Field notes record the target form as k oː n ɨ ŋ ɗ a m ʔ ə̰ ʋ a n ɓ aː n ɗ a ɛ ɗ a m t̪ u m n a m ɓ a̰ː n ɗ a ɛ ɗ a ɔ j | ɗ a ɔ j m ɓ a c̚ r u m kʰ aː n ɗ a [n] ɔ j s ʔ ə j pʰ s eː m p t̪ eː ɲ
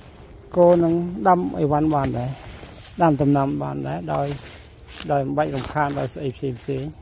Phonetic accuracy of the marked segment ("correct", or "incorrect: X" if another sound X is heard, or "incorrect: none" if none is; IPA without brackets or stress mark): incorrect: none